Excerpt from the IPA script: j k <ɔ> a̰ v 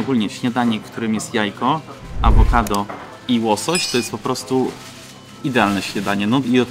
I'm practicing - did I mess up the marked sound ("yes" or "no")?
no